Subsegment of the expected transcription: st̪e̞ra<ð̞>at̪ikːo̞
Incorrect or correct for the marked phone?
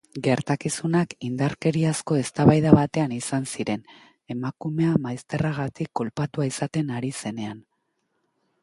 incorrect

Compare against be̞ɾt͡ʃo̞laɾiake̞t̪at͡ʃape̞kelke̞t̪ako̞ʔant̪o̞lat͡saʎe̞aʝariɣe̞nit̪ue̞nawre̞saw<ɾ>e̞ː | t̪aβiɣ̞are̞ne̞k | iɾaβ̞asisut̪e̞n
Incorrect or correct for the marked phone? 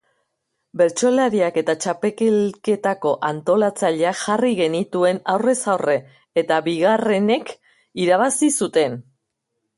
incorrect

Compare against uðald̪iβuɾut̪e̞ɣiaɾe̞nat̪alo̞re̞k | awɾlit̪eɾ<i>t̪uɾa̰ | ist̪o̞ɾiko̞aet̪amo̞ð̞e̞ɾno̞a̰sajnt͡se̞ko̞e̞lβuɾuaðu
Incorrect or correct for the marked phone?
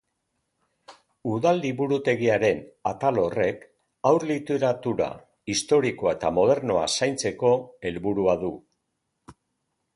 incorrect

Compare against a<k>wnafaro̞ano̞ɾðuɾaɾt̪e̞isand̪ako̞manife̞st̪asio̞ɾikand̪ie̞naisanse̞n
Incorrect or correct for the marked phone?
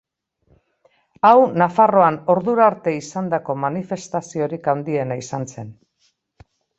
incorrect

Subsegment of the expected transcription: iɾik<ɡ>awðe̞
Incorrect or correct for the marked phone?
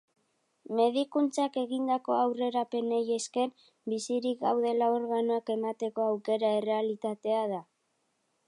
correct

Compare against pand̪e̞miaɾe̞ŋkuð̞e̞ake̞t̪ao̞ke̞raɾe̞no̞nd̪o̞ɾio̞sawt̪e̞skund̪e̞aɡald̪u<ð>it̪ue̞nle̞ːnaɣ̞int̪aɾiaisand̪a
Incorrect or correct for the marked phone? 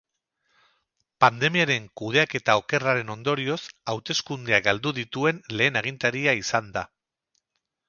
correct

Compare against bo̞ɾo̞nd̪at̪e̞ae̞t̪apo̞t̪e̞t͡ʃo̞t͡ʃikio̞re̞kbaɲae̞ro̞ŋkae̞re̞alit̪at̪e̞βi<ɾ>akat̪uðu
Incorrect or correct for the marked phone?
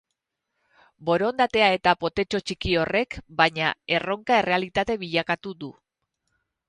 incorrect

